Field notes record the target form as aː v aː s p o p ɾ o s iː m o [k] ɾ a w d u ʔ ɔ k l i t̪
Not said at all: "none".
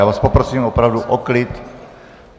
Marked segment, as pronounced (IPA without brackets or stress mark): p